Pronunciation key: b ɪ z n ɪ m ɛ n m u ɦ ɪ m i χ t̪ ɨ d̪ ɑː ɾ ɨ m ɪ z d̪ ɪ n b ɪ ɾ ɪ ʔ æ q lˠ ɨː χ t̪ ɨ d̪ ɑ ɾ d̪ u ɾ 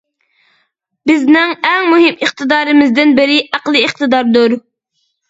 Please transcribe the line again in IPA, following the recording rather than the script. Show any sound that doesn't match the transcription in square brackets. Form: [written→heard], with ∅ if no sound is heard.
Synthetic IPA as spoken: b ɪ z n ɪ [m→ŋ] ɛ [n→ŋ] m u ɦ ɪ m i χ t̪ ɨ d̪ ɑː ɾ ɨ m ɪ z d̪ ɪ n b ɪ ɾ ɪ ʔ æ q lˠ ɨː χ t̪ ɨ d̪ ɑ ɾ d̪ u ɾ